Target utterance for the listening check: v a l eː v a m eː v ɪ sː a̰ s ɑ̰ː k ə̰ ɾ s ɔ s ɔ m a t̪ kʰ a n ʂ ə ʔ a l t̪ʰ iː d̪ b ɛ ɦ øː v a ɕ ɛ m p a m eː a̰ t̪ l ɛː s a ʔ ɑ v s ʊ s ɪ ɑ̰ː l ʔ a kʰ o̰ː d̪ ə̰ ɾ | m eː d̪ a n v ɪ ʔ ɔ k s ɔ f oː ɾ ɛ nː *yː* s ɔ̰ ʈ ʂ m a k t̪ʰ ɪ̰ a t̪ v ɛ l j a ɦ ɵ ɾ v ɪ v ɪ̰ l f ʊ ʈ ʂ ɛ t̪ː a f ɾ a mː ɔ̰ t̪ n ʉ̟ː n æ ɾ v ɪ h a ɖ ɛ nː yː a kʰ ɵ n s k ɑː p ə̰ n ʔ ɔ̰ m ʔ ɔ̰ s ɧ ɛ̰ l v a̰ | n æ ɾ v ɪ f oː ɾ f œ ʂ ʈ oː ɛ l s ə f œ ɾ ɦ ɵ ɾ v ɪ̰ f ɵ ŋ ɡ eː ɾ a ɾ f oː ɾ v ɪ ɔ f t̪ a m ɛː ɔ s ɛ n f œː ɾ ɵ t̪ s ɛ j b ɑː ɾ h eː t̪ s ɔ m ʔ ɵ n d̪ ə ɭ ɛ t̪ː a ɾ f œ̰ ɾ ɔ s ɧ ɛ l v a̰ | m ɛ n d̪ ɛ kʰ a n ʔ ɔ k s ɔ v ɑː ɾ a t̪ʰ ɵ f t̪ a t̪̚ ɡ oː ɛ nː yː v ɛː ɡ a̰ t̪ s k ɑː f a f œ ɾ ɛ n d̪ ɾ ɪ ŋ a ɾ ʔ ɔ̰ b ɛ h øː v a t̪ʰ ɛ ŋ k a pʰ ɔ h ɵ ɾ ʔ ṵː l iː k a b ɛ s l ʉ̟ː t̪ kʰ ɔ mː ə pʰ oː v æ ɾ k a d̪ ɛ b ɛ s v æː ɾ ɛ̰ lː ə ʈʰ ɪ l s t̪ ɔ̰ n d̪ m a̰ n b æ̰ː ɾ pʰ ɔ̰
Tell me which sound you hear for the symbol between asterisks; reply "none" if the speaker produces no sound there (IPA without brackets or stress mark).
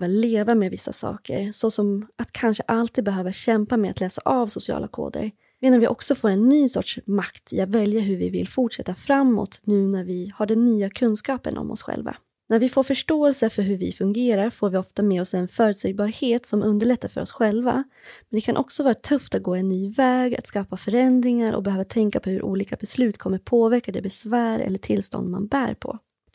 yː